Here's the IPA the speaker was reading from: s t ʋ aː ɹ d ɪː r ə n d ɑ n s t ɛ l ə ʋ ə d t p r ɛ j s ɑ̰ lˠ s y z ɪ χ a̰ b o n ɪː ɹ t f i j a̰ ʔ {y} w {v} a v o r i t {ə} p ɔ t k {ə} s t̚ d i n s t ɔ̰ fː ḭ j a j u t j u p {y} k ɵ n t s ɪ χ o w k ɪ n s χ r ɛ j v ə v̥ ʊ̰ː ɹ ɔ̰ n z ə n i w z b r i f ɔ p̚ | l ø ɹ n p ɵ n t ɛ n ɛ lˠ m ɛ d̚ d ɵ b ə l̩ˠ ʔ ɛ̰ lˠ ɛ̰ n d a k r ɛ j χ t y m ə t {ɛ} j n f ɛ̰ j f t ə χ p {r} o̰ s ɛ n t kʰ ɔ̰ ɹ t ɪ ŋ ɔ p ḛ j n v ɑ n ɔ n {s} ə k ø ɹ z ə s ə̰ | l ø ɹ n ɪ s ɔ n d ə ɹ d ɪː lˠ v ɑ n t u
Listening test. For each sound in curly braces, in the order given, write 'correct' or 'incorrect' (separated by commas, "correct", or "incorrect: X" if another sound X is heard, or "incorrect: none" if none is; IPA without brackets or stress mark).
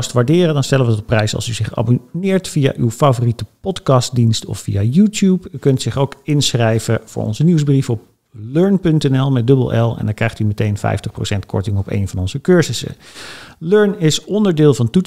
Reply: correct, incorrect: f, correct, incorrect: ɑ, correct, incorrect: e, correct, incorrect: z